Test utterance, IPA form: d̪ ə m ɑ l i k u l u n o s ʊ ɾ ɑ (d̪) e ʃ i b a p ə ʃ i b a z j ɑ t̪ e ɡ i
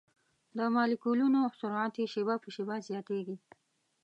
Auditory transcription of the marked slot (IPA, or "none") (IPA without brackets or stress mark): t̪